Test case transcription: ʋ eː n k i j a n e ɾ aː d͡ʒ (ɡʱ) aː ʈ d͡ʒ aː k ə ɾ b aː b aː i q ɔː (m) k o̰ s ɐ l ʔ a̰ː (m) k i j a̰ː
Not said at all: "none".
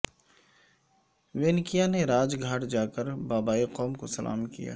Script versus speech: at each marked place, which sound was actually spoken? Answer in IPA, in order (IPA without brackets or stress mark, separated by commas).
ɡʱ, m, m